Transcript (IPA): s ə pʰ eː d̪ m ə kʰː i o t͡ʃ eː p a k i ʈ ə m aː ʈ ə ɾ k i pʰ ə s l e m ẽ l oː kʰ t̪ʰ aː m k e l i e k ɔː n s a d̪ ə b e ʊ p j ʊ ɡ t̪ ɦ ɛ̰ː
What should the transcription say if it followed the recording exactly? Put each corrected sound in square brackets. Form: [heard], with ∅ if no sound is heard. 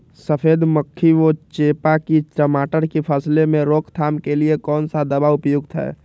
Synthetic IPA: s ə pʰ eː d̪ m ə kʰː i o t͡ʃ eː p a k i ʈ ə m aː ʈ ə ɾ k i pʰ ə s l e m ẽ [ɾ] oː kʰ t̪ʰ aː m k e l i e k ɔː n s a d̪ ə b [a] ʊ p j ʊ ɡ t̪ ɦ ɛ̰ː